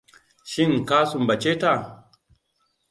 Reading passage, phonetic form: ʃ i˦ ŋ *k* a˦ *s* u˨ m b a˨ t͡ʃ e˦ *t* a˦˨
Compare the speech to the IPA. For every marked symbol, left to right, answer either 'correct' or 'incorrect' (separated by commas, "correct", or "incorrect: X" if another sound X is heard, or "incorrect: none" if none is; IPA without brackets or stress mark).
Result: correct, correct, correct